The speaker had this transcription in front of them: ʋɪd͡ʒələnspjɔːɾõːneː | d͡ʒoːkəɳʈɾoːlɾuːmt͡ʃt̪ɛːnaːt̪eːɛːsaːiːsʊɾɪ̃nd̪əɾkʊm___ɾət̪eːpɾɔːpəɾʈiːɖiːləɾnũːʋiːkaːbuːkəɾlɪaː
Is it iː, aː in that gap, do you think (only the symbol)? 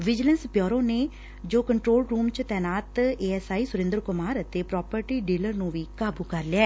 aː